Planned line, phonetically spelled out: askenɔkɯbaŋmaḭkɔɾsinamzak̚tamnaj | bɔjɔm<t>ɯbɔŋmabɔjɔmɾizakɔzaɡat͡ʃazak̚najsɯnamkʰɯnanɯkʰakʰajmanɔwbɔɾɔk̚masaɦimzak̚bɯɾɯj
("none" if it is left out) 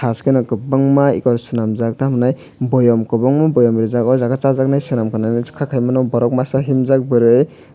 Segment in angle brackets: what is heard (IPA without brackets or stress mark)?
k